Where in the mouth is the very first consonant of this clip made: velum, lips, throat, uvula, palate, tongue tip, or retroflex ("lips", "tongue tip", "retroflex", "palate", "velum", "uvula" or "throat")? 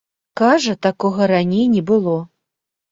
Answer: velum